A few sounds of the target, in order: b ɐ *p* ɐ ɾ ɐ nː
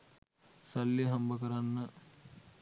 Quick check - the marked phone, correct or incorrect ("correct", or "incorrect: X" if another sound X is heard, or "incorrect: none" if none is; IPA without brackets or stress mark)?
incorrect: k